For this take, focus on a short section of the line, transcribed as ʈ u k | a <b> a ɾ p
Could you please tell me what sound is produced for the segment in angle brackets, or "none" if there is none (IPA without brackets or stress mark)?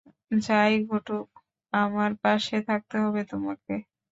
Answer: m